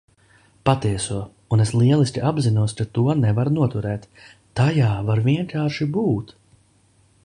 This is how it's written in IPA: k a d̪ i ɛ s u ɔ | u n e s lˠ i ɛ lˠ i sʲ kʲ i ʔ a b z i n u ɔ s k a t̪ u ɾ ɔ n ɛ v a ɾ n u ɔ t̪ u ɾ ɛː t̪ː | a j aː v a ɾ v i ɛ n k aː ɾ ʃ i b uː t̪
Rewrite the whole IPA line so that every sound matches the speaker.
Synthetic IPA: p a t̪ i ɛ s u ɔ | u n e s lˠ i ɛ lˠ i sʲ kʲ i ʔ a b z i n u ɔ s k a t̪ u ɔ n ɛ v a ɾ n u ɔ t̪ u ɾ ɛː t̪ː | a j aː v a ɾ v i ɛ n k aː ɾ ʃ i b uː t̪